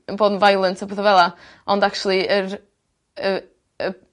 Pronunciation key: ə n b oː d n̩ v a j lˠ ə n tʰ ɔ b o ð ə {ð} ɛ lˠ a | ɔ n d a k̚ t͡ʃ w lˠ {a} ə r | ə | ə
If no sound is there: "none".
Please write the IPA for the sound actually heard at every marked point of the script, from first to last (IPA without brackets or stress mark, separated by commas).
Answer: v, i